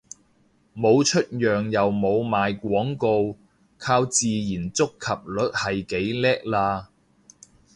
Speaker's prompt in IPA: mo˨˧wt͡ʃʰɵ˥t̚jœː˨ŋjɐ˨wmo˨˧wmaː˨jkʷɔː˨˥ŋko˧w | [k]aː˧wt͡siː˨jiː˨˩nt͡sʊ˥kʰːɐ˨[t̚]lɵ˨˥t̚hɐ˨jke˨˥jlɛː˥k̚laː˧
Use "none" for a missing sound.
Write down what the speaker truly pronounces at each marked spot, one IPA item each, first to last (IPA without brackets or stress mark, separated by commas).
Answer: kʰ, p̚